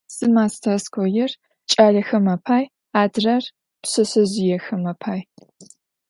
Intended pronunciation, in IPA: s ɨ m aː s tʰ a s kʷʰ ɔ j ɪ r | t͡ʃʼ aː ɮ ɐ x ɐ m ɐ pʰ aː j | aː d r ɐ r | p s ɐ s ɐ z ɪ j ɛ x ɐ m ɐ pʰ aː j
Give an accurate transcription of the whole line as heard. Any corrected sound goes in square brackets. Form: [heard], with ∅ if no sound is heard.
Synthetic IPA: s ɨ m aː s tʰ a s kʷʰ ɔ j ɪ r | t͡ʃʼ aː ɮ ɐ x ɐ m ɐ pʰ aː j | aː d r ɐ r | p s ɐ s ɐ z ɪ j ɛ x ɐ m ɐ pʰ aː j